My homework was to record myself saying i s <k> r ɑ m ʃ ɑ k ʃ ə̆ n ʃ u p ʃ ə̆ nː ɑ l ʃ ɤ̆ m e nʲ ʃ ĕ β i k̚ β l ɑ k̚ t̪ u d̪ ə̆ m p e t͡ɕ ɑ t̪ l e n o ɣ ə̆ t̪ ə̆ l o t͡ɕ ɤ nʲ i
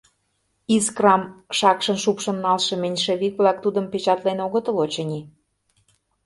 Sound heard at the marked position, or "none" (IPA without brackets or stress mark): k